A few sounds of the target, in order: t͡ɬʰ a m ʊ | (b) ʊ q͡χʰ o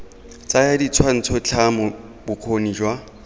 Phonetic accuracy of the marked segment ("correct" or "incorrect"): correct